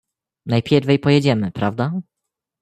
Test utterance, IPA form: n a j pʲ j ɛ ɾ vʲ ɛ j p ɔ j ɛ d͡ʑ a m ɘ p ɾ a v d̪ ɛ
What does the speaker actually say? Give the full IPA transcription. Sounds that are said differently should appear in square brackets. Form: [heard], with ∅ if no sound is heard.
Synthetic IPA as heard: n a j pʲ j ɛ ɾ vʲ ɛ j p ɔ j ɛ d͡ʑ [ɛ] m ɘ p ɾ a v d̪ [a]